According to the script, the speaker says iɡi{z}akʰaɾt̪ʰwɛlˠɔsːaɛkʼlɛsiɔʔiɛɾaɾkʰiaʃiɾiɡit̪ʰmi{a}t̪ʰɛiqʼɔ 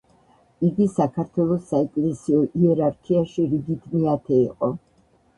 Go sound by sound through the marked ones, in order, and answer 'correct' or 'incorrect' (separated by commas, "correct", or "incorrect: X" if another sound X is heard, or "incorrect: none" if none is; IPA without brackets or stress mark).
incorrect: s, correct